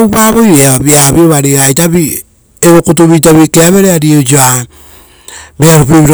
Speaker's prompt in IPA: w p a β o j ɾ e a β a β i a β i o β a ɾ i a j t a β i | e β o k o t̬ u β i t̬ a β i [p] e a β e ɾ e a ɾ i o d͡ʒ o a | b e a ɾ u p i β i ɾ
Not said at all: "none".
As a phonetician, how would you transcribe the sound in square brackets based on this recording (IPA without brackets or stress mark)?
k